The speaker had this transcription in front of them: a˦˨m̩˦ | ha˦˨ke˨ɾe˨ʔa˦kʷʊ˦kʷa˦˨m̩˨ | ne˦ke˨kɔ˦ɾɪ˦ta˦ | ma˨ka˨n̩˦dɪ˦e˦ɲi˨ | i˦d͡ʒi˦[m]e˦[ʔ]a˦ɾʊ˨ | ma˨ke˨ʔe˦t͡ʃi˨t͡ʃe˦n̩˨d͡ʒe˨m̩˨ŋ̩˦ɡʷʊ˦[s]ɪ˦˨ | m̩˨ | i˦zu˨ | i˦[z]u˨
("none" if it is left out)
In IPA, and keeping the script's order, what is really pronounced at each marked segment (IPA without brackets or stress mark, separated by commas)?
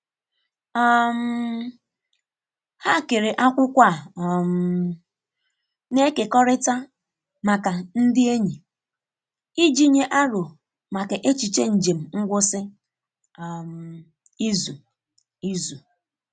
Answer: ɲ, ʔ, s, z